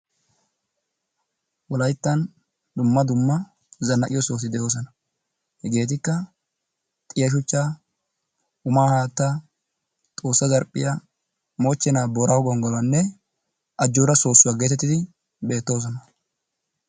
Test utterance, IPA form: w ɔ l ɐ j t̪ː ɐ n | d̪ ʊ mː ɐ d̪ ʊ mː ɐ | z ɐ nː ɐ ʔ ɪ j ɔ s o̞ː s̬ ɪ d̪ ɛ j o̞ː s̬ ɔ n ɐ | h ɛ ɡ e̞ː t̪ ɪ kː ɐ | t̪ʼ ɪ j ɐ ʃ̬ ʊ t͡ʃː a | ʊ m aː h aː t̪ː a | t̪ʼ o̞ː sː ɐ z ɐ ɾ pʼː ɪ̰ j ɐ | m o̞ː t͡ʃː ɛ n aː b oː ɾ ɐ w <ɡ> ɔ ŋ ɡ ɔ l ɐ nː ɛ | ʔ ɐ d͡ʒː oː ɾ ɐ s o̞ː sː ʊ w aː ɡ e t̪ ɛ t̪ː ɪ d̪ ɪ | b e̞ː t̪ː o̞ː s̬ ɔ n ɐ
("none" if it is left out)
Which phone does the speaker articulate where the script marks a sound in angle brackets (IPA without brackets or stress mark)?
ɡ